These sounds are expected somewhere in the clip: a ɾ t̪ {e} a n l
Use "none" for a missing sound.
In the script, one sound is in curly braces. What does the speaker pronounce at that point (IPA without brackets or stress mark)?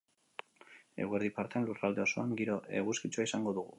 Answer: e